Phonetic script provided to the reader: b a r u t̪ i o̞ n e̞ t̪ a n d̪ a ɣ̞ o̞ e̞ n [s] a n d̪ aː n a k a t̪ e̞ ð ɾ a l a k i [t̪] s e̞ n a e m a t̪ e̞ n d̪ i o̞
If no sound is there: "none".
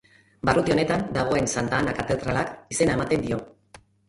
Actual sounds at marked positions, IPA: s, none

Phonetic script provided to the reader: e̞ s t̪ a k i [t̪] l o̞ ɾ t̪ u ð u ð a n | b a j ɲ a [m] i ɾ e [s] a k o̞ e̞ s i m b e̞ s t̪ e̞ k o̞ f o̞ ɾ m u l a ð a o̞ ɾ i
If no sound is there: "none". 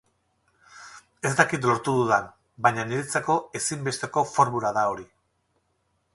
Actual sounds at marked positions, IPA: t̪, n, t͡s

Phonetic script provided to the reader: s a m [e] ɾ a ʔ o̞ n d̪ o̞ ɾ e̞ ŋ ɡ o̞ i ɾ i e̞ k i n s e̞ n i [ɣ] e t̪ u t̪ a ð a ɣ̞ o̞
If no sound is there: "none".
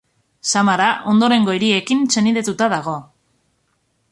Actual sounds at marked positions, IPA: a, ð

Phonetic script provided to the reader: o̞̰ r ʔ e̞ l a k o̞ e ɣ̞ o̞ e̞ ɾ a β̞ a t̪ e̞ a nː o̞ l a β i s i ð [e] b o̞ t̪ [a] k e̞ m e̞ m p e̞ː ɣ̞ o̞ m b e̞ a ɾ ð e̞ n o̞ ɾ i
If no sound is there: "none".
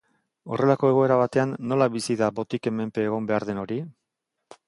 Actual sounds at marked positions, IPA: a, i

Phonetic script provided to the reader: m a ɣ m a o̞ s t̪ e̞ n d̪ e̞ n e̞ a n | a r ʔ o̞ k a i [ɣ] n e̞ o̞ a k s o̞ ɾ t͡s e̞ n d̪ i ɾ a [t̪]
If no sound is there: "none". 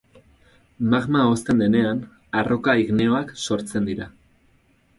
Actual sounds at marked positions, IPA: ɣ, none

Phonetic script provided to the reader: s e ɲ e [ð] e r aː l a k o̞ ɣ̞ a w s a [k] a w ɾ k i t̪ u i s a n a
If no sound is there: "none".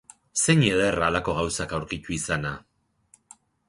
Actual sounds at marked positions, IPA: ð, k

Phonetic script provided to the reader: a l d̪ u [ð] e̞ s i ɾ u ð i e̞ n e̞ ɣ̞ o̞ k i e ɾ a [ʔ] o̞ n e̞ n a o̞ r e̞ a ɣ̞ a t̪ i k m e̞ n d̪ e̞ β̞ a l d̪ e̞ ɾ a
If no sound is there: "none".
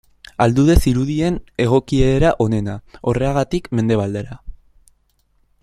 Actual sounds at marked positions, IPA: ð, ʔ

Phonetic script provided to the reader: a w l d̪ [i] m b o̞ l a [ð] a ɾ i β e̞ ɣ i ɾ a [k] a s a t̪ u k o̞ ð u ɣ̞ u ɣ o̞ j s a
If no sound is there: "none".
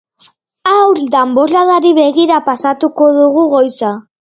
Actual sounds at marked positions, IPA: a, ð, p

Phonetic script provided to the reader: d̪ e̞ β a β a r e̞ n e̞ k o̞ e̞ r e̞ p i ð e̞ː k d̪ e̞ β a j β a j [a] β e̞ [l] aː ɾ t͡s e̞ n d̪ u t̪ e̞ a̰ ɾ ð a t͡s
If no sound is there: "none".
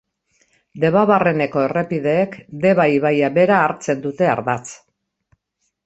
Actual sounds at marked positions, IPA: a, ɾ

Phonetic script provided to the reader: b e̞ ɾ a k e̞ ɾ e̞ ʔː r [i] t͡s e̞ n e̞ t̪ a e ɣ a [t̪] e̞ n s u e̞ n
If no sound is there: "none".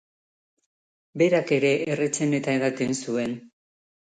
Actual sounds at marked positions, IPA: e, t̪

